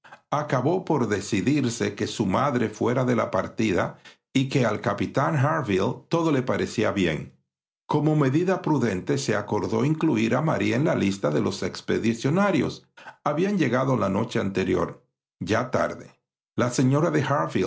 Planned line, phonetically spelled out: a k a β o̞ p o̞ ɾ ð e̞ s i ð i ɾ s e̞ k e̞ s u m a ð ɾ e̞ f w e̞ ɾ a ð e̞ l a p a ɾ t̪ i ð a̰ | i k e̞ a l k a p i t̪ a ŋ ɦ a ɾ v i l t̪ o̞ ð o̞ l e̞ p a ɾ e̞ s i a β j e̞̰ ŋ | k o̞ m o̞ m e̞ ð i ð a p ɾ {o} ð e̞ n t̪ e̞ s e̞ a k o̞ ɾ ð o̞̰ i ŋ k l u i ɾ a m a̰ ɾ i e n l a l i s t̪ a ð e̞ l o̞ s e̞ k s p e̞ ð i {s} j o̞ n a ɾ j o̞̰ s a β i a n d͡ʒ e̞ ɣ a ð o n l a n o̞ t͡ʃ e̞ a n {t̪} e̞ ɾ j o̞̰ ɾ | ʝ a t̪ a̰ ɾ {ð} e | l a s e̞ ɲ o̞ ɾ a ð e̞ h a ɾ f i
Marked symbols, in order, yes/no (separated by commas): no, yes, yes, yes